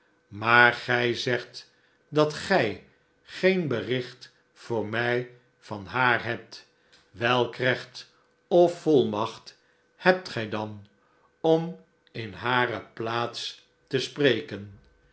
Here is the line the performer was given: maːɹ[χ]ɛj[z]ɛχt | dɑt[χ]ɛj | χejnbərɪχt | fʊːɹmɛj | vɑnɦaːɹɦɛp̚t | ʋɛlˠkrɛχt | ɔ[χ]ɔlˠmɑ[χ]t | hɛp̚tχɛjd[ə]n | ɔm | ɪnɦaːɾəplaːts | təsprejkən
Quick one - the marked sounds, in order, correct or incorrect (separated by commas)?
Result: correct, correct, correct, incorrect, correct, incorrect